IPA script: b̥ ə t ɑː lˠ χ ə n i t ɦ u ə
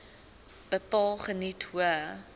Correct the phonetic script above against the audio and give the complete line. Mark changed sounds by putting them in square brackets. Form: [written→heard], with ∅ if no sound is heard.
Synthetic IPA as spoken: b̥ ə [t→p] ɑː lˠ χ ə n i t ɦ u ə